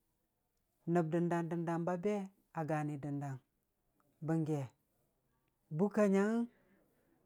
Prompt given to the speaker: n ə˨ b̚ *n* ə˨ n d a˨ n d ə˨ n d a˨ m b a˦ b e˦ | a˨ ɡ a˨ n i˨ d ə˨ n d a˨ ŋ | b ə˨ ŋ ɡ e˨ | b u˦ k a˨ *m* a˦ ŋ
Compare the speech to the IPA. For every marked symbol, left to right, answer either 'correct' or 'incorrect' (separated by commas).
incorrect, incorrect